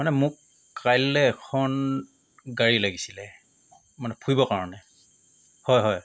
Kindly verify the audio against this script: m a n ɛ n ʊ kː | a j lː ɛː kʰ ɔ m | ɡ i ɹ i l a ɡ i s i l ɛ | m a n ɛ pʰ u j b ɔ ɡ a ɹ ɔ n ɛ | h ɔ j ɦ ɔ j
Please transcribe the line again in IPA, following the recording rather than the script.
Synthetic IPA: m a n ɛ m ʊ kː | a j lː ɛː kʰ ɔ n | ɡ a ɹ i l a ɡ i s i l ɛ | m a n ɛ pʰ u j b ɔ k a ɹ ɔ n ɛ | h ɔ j ɦ ɔ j